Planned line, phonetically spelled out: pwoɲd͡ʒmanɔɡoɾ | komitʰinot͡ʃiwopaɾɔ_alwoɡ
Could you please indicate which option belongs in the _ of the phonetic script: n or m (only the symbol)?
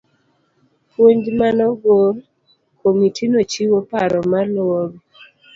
m